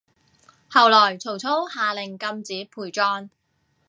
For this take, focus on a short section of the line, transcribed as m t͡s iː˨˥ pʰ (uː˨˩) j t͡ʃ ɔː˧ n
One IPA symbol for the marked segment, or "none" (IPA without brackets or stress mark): uː˨˩